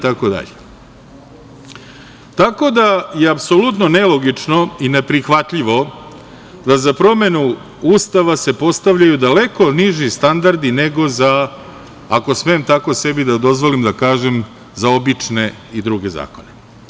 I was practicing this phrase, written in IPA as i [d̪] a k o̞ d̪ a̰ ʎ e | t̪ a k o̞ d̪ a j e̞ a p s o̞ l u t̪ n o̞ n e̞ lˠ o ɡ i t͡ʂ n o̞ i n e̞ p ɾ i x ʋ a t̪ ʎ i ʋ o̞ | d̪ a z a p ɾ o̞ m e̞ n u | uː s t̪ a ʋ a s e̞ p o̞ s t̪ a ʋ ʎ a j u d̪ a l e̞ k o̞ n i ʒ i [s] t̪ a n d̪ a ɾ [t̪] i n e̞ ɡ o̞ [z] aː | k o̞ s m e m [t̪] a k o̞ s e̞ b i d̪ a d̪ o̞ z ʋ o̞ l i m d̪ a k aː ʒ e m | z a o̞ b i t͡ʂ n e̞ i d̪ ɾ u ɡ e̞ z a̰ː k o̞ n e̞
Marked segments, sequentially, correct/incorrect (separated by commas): incorrect, correct, incorrect, correct, correct